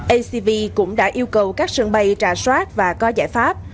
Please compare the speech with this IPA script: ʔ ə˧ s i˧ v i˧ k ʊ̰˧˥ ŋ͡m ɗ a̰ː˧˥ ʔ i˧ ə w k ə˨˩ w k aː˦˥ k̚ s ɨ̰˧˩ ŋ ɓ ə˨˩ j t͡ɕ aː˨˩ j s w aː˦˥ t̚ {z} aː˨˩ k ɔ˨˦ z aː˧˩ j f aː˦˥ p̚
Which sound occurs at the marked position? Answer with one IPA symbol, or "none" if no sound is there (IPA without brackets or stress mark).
v